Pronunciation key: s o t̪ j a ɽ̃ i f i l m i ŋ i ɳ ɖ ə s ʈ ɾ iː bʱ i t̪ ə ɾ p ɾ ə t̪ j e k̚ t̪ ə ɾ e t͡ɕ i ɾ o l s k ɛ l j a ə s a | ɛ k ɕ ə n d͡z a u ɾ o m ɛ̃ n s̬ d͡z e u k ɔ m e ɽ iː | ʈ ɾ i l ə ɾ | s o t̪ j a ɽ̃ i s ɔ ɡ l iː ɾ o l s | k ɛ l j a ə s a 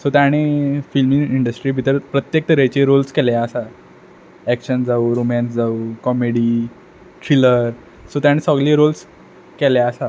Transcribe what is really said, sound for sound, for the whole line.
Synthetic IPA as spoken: s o t̪ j a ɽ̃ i f i l m i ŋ i ɳ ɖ ə s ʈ ɾ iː bʱ i t̪ ə ɾ p ɾ ə t̪ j e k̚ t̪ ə ɾ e t͡ɕ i ɾ o l s k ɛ l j a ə s a | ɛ k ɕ ə n d͡z a u ɾ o m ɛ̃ n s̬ d͡z a u k ɔ m e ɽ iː | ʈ ɾ i l ə ɾ | s o t̪ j a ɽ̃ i s ɔ ɡ l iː ɾ o l s | k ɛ l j a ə s a